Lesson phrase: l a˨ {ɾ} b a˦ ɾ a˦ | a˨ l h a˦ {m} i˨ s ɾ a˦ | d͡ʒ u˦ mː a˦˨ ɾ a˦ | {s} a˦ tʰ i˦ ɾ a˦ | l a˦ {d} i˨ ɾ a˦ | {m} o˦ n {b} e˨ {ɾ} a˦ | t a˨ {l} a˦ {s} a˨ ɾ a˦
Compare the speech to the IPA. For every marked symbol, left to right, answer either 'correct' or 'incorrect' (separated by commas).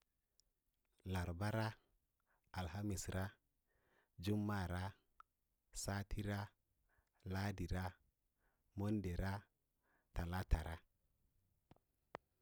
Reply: correct, correct, correct, correct, correct, incorrect, correct, correct, incorrect